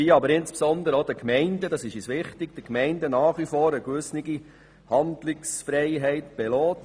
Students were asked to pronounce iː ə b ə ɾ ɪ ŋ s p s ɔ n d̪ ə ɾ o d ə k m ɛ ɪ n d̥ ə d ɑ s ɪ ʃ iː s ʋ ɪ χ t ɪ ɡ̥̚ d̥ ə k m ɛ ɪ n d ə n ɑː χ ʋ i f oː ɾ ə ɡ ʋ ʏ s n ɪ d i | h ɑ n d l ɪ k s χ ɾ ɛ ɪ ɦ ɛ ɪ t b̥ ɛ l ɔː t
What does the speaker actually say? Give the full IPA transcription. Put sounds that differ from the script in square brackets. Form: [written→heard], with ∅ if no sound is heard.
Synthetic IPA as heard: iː [ə→ɑ] b ə ɾ ɪ [ŋ→n] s p s ɔ n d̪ ə ɾ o d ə k m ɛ ɪ n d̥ ə d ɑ s ɪ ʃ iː s ʋ ɪ χ t ɪ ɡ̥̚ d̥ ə k m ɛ ɪ n d ə n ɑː χ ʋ i f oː ɾ ə ɡ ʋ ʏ s n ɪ [d→ɡ] i | h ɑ n d l ɪ k s [χ→f] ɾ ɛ ɪ ɦ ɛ ɪ t b̥ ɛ l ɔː t